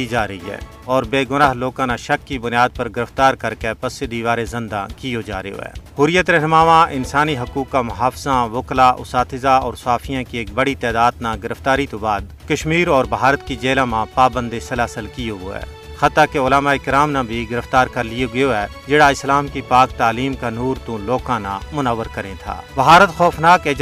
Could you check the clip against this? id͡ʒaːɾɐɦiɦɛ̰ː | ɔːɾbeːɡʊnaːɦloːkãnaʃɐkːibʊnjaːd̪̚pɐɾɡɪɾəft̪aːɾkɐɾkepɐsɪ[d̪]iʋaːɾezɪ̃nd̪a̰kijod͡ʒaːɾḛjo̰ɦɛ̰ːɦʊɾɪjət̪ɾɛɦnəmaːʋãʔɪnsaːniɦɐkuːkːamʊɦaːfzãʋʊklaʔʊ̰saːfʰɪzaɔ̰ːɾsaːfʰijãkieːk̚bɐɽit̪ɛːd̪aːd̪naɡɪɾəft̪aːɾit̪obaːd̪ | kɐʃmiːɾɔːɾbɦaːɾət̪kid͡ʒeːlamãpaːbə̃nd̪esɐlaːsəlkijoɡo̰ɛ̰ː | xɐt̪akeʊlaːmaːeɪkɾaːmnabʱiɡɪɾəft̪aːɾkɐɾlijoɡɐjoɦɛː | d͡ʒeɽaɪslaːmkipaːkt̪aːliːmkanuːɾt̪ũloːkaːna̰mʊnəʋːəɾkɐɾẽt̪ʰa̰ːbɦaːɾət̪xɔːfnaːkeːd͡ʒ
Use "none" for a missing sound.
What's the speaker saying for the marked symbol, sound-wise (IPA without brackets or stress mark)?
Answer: d̪